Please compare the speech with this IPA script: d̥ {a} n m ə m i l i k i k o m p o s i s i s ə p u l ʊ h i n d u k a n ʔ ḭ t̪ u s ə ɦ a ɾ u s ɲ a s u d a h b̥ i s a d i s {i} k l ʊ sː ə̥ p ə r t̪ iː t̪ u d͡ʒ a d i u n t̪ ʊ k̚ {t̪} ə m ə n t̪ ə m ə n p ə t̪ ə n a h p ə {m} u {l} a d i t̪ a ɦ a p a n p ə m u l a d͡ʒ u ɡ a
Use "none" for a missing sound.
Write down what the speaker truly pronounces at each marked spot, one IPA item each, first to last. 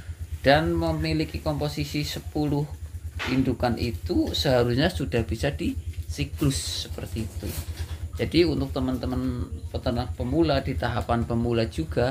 a, i, t̪, m, l

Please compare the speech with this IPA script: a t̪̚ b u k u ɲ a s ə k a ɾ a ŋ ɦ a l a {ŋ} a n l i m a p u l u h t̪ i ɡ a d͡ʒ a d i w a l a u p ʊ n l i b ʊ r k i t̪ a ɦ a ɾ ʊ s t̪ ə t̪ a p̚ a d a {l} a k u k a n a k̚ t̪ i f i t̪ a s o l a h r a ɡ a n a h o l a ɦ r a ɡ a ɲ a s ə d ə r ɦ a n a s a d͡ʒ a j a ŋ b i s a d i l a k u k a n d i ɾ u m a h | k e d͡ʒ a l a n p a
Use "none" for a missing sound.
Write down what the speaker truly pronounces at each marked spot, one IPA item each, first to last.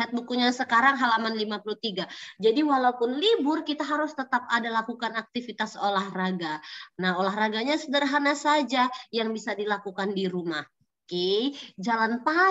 m, l

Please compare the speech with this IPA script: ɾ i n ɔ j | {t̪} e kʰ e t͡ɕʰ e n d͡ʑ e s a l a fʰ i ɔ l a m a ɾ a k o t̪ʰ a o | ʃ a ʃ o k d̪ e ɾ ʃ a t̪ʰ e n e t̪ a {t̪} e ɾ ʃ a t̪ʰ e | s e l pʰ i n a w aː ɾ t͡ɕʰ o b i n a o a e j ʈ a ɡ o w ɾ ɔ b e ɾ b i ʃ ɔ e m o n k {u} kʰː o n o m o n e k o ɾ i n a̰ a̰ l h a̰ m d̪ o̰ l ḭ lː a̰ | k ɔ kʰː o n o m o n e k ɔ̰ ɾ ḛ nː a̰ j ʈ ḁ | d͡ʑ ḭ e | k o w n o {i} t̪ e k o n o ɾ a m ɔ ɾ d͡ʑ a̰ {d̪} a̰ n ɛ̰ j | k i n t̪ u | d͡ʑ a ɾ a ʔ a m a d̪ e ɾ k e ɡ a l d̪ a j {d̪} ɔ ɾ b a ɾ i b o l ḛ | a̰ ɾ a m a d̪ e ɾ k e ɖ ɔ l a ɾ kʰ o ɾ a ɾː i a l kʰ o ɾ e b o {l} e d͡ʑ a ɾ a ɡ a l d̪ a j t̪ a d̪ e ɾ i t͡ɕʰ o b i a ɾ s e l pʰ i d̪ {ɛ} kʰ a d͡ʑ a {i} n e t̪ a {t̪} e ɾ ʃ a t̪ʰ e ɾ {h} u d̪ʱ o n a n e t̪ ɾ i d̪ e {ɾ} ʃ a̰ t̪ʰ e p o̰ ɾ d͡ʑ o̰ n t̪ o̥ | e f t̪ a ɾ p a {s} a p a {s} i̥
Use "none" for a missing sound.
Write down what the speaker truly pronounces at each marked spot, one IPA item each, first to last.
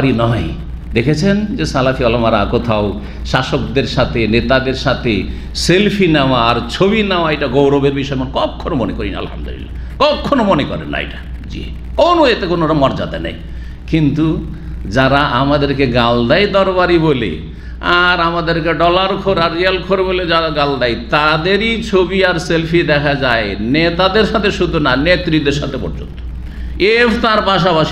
d̪, d̪, ɔ, e, d̪, d̪, l, ɛ, e, d̪, ʃ, ɾ, ʃ, ʃ

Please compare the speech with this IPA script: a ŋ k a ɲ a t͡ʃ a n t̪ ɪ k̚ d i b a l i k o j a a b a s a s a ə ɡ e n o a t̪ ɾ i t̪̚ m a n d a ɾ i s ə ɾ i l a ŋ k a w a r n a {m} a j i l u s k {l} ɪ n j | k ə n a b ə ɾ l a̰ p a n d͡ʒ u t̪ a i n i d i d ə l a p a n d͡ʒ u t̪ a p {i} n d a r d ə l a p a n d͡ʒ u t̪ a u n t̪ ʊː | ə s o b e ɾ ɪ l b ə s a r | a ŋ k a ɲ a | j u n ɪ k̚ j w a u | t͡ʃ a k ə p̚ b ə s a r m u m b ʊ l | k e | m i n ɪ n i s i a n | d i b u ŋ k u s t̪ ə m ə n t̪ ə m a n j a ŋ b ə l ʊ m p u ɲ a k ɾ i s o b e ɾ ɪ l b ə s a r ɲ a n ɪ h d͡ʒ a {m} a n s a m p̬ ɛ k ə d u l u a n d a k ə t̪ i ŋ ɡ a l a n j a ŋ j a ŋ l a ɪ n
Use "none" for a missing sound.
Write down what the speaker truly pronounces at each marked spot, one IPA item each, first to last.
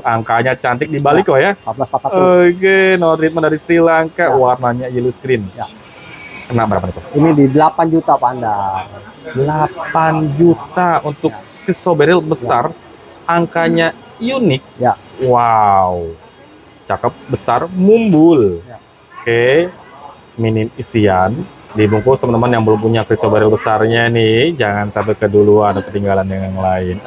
ɲ, ɾ, a, ŋ

